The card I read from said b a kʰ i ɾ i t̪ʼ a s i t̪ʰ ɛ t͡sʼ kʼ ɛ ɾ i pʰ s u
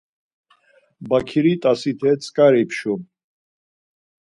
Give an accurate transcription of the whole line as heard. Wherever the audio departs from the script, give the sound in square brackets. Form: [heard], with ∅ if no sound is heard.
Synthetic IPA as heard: b a kʰ i ɾ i t̪ʼ a s i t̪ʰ ɛ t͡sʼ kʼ [a] ɾ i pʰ [ʃ] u